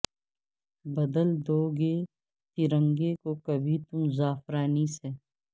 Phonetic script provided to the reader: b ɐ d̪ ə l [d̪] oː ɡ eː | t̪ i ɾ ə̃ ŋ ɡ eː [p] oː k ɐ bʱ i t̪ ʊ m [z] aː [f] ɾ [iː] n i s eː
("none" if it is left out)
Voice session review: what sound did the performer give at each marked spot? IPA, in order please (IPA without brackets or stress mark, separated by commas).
d̪, k, z, f, aː